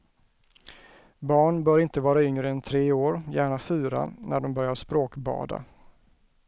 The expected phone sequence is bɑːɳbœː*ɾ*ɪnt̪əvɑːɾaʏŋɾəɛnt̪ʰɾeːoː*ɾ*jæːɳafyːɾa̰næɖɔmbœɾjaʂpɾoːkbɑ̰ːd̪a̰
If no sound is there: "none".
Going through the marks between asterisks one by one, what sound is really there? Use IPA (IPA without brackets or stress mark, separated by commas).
ɾ, ɾ